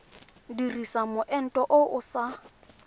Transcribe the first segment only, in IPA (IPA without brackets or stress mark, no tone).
d